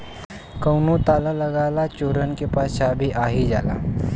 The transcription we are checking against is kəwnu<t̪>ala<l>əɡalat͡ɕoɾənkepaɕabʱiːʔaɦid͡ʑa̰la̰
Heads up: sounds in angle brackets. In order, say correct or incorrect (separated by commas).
correct, correct